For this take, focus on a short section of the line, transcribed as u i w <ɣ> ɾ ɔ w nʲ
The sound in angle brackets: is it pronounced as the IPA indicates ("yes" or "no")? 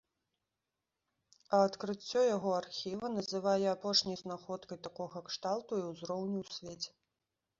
no